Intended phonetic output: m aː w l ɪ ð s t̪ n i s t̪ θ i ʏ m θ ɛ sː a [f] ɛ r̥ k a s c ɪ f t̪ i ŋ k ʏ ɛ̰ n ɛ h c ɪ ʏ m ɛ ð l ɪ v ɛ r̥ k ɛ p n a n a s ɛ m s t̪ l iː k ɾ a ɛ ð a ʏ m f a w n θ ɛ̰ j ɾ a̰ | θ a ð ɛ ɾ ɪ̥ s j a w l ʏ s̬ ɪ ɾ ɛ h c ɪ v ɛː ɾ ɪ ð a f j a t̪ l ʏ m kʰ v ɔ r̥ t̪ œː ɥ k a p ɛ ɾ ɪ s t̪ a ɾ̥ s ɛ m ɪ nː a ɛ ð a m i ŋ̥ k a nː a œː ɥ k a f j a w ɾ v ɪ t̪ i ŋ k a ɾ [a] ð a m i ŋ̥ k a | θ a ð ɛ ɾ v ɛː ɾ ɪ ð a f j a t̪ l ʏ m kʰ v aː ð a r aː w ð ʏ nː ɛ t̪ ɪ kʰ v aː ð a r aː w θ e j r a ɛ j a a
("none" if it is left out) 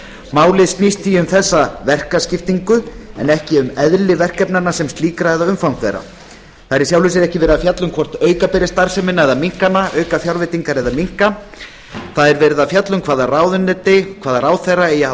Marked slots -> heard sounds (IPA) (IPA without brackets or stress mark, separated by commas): v, ɛ